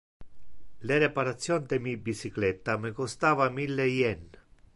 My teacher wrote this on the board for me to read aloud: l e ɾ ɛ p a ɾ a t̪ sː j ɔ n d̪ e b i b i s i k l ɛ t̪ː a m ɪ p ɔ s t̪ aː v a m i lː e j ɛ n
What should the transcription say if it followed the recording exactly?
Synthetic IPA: l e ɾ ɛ p a ɾ a t̪ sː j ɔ n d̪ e m i b i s i k l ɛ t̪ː a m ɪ k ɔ s t̪ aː v a m i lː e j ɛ n

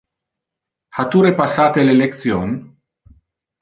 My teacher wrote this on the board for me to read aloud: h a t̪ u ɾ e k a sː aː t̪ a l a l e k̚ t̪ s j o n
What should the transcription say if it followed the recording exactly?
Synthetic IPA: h a t̪ u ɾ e p a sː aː t̪ e l e l e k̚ t̪ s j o n

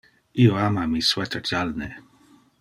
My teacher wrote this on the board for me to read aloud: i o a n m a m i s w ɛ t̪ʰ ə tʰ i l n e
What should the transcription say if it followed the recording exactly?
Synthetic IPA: i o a m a m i s w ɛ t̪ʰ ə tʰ a l n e

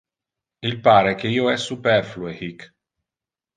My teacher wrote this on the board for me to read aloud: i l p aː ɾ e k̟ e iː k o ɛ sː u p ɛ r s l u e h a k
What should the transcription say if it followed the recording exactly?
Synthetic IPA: i l p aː ɾ e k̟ e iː o ɛ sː u p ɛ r f l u e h i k

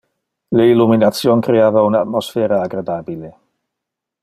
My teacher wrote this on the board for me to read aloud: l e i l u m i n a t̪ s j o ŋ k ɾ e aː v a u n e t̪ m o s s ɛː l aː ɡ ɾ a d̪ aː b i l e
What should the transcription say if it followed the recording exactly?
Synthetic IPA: l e i l u m i n a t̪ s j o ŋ k ɾ e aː v a u n a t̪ m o s f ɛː ɾ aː ɡ ɾ a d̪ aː b i l e

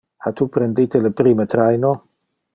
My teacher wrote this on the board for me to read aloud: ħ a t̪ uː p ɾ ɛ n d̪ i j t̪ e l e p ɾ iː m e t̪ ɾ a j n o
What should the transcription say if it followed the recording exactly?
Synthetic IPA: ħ a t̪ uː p ɾ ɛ n d̪ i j t̪ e l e p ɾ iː m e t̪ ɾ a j n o

